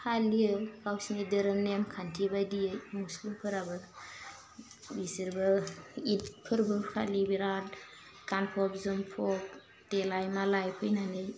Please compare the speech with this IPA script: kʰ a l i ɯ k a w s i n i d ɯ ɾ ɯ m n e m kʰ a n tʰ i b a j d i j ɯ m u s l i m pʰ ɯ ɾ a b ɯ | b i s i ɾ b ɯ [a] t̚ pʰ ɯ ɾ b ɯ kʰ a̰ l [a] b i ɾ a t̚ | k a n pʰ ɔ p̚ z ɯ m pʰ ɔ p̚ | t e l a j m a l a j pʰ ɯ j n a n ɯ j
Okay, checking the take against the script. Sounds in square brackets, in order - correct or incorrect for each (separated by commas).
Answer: incorrect, incorrect